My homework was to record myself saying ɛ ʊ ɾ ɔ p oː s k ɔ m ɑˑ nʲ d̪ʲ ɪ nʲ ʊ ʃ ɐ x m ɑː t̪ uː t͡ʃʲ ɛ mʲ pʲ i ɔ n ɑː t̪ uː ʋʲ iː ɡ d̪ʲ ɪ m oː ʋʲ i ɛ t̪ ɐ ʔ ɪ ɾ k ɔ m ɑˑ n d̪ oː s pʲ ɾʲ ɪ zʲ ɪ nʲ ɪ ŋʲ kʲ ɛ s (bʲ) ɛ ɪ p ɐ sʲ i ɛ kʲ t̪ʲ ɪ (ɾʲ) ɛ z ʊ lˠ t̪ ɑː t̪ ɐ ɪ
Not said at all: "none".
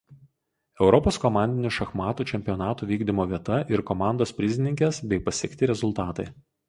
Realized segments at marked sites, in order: bʲ, ɾʲ

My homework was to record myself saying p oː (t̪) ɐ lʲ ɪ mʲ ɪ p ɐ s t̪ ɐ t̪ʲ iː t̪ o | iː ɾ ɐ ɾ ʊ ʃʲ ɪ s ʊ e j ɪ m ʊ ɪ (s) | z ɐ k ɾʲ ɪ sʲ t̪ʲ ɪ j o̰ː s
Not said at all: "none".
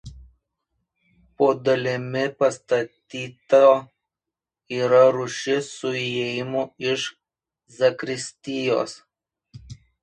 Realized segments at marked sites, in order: d̪, ʃ

